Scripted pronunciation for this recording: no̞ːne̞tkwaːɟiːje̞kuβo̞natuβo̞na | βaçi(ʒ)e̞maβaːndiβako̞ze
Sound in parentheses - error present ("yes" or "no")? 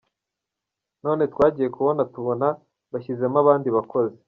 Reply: yes